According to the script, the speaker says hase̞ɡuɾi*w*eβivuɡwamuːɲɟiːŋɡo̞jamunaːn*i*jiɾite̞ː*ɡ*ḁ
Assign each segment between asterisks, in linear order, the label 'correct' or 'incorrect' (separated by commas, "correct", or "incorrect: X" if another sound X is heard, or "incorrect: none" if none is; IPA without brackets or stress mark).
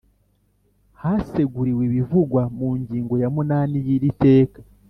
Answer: correct, correct, incorrect: k